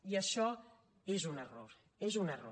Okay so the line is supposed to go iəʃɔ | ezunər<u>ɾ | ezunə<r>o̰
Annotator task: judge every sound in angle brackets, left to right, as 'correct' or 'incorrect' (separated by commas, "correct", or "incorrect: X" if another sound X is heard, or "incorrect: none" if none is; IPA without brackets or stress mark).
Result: incorrect: o, correct